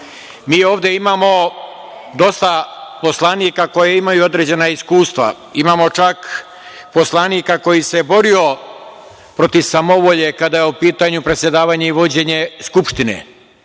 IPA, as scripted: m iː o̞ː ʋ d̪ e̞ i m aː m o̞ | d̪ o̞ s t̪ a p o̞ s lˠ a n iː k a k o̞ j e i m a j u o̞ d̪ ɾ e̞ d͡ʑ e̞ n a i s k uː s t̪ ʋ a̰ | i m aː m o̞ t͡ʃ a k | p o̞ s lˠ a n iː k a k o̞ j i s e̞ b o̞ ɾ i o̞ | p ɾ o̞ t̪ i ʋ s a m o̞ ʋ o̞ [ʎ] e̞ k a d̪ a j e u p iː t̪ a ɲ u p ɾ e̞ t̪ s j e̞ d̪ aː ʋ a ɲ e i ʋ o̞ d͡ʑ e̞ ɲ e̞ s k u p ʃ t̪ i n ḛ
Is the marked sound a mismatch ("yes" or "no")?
no